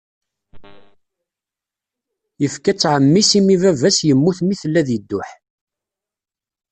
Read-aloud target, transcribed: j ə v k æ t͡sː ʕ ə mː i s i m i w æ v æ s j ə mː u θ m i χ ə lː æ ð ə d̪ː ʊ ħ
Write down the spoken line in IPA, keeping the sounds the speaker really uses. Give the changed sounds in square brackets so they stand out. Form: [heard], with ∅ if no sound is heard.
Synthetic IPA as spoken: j ə [f] k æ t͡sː ʕ ə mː i s i m i [v] æ v æ s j ə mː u θ m i [θ] ə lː æ ð ə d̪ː ʊ ħ